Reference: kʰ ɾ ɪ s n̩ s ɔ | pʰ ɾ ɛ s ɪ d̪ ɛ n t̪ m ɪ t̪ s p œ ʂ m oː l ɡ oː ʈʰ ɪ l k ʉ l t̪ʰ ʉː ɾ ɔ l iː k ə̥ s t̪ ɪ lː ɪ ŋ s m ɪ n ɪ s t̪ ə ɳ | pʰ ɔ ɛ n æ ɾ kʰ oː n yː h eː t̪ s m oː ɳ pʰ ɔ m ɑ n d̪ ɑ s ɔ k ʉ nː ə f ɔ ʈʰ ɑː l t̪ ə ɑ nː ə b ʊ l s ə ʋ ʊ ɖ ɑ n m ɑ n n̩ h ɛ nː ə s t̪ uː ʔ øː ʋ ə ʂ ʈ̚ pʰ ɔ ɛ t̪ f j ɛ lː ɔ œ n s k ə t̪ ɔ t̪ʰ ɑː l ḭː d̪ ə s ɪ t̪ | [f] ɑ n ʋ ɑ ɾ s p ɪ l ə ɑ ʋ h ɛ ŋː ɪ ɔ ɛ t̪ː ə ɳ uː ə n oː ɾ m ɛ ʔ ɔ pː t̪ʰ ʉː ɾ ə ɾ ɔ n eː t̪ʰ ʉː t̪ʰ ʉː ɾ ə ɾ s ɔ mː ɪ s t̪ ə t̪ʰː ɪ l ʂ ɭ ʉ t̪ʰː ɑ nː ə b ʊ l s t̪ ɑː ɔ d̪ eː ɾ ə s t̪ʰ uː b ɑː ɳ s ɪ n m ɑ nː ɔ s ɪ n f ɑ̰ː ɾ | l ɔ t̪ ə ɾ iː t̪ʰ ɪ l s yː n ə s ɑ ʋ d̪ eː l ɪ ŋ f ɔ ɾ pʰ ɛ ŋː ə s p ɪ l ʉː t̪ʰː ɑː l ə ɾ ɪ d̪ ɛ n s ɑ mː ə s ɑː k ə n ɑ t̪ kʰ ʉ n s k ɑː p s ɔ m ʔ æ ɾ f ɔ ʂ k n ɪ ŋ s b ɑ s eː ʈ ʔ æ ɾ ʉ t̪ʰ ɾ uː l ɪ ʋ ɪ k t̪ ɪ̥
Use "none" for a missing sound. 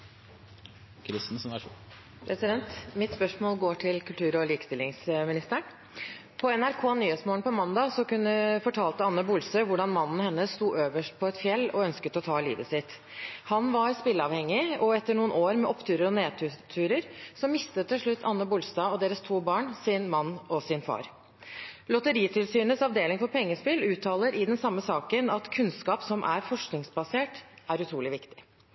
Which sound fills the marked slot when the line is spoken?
h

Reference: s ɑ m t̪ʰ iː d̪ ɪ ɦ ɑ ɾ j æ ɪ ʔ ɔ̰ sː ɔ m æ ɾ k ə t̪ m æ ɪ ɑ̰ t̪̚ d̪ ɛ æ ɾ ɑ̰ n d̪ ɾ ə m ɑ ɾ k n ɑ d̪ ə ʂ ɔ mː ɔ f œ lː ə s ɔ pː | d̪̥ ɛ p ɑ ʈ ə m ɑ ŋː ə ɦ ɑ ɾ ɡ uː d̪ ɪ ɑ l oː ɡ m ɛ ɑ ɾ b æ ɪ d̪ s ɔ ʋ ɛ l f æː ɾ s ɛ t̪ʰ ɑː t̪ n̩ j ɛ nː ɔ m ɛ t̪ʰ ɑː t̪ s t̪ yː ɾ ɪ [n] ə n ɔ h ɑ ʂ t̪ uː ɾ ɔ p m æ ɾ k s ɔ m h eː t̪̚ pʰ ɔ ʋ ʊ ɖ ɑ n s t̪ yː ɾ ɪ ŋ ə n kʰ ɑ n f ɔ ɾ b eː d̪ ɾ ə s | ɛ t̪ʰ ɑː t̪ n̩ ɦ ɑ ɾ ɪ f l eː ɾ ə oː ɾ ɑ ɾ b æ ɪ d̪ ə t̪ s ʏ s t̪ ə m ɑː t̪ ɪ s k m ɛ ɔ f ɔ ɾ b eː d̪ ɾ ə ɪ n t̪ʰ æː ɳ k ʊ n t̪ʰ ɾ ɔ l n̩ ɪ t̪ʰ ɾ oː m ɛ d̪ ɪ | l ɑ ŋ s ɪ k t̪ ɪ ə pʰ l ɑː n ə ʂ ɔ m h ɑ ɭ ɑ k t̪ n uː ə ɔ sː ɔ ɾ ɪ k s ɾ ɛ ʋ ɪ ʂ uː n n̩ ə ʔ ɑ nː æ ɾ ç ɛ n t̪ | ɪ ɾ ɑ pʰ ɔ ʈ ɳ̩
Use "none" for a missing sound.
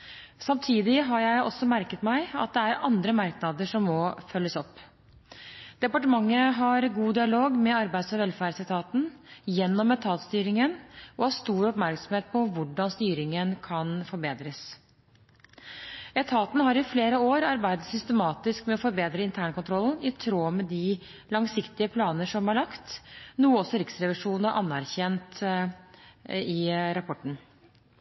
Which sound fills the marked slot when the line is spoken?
ŋ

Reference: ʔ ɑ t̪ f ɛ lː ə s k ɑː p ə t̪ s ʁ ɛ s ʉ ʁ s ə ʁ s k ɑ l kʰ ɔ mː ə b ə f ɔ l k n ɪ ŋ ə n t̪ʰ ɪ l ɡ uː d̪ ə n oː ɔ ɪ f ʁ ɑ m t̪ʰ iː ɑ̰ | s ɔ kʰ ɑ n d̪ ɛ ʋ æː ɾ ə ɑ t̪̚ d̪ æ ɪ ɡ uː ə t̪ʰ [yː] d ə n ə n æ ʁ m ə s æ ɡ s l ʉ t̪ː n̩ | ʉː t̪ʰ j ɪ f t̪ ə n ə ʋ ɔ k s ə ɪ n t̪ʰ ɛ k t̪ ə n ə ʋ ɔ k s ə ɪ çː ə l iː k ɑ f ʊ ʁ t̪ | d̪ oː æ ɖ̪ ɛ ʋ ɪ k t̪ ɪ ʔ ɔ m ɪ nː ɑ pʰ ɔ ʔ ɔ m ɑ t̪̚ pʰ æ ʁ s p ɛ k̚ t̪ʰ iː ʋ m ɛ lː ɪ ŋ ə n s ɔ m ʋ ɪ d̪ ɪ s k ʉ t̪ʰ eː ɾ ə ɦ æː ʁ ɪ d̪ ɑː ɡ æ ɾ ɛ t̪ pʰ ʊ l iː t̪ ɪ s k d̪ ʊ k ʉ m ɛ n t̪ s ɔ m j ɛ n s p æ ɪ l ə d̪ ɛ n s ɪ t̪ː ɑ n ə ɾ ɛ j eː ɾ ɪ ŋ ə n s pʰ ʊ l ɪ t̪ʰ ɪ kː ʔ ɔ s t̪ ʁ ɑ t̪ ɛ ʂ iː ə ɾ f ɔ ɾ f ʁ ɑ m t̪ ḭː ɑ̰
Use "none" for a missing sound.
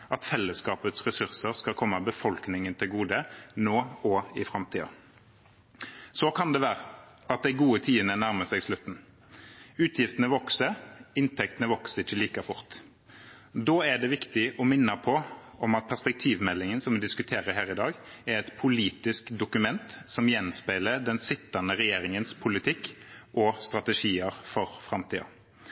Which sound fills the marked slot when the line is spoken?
iː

